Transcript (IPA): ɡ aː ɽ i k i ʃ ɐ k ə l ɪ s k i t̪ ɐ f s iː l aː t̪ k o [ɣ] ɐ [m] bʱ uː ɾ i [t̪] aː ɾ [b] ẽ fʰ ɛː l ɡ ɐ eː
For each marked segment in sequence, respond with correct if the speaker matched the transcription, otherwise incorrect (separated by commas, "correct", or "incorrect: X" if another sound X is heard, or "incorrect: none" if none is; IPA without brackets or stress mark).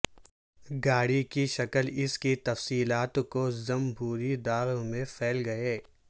incorrect: z, correct, incorrect: d̪, incorrect: m